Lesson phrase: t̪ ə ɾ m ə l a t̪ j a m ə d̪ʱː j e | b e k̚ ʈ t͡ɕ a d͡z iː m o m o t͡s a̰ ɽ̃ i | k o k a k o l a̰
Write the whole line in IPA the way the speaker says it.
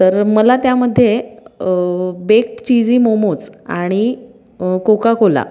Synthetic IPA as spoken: t̪ ə ɾ m ə l a t̪ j a m ə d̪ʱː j e | b e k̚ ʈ t͡ɕ i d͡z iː m o m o t͡s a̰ ɽ̃ i | k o k a k o l a̰